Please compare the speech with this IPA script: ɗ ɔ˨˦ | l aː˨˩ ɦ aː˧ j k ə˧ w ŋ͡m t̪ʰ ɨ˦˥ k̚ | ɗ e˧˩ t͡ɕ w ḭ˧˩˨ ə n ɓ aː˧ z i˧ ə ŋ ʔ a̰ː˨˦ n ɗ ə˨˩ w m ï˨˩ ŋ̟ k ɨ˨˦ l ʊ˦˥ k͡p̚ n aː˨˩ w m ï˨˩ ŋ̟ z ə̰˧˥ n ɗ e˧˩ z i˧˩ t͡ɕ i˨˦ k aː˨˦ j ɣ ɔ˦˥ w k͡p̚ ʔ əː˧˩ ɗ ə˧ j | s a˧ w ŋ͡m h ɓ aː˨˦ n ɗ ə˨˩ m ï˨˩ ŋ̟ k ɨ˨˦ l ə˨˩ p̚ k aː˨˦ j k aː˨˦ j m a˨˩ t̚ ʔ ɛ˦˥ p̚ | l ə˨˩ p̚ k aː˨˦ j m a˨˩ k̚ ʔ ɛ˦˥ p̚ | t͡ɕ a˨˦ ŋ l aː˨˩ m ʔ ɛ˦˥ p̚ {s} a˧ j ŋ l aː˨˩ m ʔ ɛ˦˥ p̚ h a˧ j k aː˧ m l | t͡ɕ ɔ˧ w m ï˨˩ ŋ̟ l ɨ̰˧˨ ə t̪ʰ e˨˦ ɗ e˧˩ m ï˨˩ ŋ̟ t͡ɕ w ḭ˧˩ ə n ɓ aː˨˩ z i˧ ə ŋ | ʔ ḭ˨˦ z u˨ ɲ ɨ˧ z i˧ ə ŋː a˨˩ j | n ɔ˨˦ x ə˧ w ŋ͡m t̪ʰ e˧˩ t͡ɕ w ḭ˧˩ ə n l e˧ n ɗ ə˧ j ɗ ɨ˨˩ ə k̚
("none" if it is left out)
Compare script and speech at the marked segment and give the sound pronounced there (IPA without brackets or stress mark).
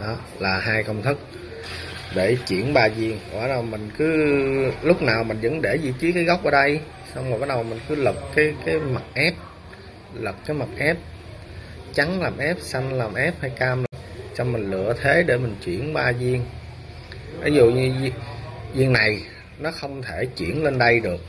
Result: s